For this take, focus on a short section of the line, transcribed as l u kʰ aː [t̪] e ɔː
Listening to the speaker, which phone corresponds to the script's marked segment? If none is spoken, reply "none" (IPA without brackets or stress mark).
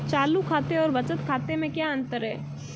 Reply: t̪